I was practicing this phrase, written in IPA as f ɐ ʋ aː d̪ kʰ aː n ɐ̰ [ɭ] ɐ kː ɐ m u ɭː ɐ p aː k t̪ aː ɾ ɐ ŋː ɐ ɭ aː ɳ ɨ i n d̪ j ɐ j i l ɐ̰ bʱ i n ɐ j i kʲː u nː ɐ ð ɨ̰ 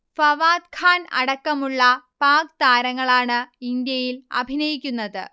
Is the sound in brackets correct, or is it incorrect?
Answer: incorrect